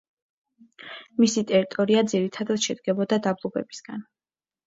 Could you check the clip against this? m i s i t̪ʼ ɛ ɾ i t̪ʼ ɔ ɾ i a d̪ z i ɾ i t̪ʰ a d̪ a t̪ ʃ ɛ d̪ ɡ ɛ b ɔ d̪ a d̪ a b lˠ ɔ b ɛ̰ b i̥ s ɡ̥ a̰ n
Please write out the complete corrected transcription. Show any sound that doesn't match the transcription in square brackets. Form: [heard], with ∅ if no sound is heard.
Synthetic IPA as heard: m i s i t̪ʼ ɛ ɾ i t̪ʼ ɔ ɾ i a d̪ z i ɾ i t̪ʰ a d̪ a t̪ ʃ ɛ d̪ ɡ ɛ b ɔ d̪ a d̪ a b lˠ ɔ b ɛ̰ b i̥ s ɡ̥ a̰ n

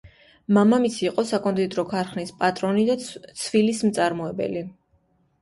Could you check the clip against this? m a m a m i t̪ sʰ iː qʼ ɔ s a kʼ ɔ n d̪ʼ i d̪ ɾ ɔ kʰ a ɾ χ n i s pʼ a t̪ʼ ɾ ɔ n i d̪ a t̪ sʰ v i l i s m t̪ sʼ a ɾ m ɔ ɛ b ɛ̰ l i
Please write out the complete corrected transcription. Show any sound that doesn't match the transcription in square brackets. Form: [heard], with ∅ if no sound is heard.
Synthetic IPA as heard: m a m a m i t̪ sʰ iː qʼ ɔ s a kʼ ɔ n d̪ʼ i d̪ ɾ ɔ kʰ a ɾ χ n i s pʼ a t̪ʼ ɾ ɔ n i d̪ a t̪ sʰ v i l i s m t̪ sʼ a ɾ m ɔ ɛ b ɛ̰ l i

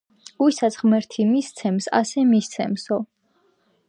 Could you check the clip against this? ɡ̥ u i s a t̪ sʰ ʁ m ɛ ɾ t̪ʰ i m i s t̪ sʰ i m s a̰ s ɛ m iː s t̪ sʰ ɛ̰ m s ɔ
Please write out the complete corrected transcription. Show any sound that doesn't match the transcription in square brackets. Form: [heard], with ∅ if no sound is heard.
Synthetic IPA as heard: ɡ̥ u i s a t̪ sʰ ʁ m ɛ ɾ t̪ʰ i m i s t̪ sʰ [ɛ] m s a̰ s ɛ m [i] s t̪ sʰ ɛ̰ m s ɔ

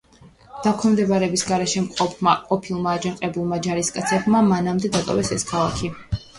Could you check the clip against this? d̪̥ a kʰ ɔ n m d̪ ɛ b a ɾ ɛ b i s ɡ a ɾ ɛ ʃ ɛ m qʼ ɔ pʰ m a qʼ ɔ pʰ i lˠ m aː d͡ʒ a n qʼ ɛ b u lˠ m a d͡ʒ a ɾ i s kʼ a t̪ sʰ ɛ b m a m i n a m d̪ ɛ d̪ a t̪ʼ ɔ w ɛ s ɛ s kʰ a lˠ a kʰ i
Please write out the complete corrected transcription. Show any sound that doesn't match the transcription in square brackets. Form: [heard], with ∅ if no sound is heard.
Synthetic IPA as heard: d̪̥ a kʰ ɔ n m d̪ ɛ b a ɾ ɛ b i s ɡ a ɾ ɛ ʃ ɛ m qʼ ɔ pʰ m a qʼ ɔ pʰ i lˠ m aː d͡ʒ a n qʼ ɛ b u lˠ m a d͡ʒ a ɾ i s kʼ a t̪ sʰ ɛ b m a m [a] n a m d̪ ɛ d̪ a t̪ʼ ɔ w ɛ s ɛ s kʰ a lˠ a kʰ i

